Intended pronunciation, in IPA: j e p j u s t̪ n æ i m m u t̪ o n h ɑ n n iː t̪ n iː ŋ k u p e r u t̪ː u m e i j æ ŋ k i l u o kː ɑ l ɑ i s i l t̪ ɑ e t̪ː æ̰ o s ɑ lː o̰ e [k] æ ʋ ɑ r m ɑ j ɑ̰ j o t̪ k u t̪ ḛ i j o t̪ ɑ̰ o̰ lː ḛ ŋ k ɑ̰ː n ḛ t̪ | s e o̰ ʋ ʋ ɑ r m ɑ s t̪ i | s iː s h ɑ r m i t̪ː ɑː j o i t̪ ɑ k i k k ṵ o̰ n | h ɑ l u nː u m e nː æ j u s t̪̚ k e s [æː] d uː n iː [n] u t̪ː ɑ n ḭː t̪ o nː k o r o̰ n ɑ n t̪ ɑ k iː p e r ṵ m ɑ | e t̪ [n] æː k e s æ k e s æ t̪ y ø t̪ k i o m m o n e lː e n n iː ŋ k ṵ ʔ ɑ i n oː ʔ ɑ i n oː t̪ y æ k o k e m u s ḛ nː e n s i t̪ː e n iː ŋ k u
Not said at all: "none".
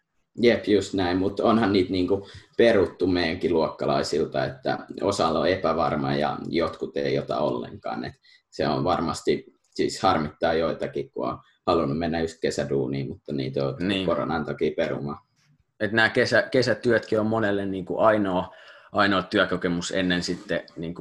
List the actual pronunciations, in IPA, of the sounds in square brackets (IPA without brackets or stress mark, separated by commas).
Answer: p, æ, m, n